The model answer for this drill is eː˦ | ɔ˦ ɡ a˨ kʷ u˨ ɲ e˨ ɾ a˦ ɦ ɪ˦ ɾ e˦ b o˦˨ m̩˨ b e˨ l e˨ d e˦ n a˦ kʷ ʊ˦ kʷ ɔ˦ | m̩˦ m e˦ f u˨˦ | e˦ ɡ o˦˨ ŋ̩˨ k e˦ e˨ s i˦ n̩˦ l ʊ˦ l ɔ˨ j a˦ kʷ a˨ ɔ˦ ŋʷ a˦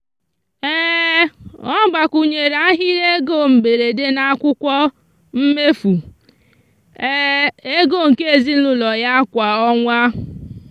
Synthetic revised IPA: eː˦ | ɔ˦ ɡ͡b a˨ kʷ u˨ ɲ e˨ ɾ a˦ ɦ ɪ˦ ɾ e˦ ɡ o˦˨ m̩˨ b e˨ ɾ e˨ d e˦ n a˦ kʷ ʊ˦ kʷ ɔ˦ | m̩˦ m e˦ f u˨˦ | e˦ ɡ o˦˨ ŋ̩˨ k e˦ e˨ z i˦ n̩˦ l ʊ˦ l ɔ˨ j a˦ kʷ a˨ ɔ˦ ŋʷ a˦

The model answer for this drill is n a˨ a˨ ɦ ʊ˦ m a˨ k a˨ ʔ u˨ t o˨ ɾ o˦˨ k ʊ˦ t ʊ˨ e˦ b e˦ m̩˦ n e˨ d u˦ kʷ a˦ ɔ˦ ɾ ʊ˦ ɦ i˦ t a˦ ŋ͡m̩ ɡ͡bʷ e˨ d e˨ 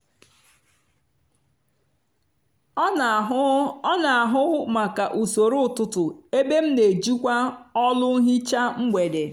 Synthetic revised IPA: n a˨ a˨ ɦ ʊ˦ m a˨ k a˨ ʔ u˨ s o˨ ɾ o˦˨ t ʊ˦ t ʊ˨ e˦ b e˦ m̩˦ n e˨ d͡ʒ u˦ kʷ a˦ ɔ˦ l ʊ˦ ɦ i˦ t͡ʃ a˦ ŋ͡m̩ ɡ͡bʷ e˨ d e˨

